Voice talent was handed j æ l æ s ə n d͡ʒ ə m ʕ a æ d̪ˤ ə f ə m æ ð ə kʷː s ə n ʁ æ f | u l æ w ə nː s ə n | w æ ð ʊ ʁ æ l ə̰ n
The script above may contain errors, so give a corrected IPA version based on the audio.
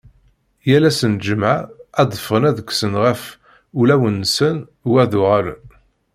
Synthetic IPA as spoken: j æ l æ s ə n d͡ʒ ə m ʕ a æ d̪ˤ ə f ə n æ ð ə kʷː s ə n ʁ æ f | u l æ w ə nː s ə n | w æ ð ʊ ʁ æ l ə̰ n